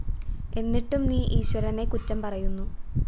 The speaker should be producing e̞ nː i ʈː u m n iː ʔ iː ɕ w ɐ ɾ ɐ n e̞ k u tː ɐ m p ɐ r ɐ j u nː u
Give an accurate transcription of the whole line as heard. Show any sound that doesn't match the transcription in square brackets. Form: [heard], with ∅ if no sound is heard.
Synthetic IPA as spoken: e̞ nː i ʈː u m n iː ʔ iː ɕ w ɐ ɾ ɐ n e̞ k u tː ɐ m p ɐ r ɐ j u nː u